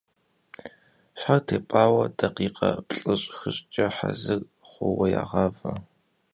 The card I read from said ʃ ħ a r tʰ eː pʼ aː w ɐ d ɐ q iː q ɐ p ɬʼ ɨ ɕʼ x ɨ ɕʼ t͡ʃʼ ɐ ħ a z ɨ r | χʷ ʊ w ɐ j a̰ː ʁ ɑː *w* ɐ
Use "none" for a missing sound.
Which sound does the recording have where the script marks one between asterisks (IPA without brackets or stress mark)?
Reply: v